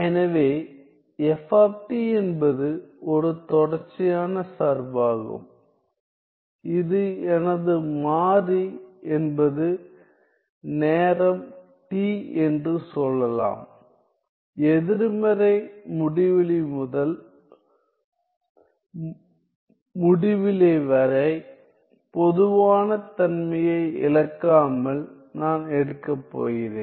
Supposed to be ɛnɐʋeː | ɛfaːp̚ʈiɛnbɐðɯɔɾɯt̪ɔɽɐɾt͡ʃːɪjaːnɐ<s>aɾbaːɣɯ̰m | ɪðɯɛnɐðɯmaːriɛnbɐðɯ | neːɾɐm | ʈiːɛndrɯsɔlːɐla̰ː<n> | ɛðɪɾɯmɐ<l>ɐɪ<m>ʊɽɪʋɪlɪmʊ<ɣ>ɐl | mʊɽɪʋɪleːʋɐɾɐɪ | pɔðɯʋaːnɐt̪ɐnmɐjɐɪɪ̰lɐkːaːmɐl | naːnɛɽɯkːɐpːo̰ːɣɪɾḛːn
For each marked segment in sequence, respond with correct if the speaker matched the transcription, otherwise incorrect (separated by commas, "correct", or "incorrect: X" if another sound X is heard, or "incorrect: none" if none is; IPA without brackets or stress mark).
correct, incorrect: m, incorrect: ɾ, correct, incorrect: ð